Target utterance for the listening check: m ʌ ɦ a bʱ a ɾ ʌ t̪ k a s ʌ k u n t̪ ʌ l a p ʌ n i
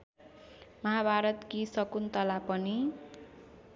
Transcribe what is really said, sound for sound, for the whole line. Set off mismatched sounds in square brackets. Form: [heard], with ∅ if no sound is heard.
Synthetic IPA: m ʌ ɦ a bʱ a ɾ ʌ t̪ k [i] s ʌ k u n t̪ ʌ l a p ʌ n i